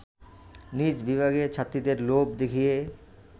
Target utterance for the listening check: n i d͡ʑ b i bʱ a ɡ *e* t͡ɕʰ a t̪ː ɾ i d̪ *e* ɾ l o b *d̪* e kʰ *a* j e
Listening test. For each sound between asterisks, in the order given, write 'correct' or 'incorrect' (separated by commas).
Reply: correct, correct, correct, incorrect